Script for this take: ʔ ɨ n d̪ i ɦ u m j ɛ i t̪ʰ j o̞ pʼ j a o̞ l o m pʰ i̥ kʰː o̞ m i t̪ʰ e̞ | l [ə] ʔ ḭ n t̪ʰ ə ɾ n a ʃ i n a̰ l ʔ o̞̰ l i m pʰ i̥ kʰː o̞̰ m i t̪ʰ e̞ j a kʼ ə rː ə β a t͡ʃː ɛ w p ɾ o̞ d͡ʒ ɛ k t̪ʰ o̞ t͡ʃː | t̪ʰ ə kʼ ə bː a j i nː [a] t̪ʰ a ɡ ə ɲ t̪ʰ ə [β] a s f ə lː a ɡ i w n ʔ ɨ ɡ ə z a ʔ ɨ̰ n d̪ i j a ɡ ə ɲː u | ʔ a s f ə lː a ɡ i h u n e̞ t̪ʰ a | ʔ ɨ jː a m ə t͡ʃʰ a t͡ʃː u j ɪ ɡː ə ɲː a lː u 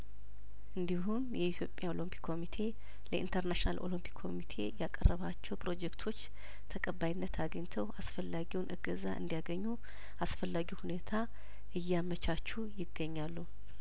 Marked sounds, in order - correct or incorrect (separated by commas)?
correct, incorrect, incorrect